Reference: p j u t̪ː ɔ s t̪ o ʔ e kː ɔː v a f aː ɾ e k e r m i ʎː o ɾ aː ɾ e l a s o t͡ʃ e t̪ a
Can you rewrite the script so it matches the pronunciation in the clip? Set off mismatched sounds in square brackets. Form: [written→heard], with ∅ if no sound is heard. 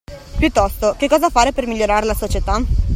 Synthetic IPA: p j u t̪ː ɔ s t̪ o [ʔ→k] e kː ɔː [v→z] a f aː ɾ e [k→p] e r m i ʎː o ɾ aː ɾ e l a s o t͡ʃ e t̪ a